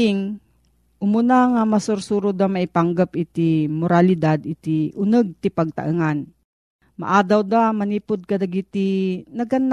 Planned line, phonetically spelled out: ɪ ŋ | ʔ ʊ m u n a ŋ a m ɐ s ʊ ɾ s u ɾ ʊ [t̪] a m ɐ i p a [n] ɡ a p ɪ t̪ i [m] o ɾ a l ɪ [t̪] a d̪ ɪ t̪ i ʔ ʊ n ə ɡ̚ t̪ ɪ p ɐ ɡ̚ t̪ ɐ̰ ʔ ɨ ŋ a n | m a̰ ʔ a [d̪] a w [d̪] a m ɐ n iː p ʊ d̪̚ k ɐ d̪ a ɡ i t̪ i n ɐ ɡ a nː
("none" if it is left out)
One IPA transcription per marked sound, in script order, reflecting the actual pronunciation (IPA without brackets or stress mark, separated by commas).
d̪, ŋ, m, d̪, d̪, d̪